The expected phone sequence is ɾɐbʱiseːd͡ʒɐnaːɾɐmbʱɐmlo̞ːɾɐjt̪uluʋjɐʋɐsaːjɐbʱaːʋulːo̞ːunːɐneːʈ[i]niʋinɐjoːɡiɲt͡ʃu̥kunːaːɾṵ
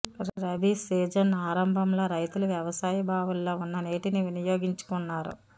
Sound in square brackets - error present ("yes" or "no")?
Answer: no